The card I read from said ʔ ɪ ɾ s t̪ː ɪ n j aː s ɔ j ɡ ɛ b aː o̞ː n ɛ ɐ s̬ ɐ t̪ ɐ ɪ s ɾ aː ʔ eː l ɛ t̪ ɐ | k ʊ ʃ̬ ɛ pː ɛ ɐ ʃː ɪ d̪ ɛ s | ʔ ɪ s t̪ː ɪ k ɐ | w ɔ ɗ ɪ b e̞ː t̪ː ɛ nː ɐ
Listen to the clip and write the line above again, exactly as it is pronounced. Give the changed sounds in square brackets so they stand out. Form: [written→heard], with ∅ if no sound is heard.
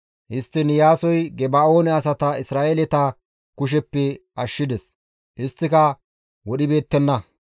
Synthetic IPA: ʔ ɪ [ɾ→∅] s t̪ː ɪ n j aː s ɔ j ɡ ɛ b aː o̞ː n ɛ ɐ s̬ ɐ t̪ ɐ ɪ s ɾ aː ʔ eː l ɛ t̪ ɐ | k ʊ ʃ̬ ɛ pː ɛ ɐ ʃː ɪ d̪ ɛ s | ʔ ɪ s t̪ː ɪ k ɐ | w ɔ ɗ ɪ b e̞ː t̪ː ɛ nː ɐ